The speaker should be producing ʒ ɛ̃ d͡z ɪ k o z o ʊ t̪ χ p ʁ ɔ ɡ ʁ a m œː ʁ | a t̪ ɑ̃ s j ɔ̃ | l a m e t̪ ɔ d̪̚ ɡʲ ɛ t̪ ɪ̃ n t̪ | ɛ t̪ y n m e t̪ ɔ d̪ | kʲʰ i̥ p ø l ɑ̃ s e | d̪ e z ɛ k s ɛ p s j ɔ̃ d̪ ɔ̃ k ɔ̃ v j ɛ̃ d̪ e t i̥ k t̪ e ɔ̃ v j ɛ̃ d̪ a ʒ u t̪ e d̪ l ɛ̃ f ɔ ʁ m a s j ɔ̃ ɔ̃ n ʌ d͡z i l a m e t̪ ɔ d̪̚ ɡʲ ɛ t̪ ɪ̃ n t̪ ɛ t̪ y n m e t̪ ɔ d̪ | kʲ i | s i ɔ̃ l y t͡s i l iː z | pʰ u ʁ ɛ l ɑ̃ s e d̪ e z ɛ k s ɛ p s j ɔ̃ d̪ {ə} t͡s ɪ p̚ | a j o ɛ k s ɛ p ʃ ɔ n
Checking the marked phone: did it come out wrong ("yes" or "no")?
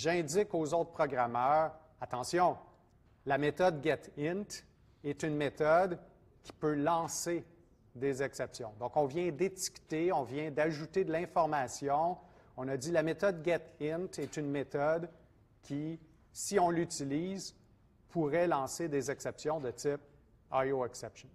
no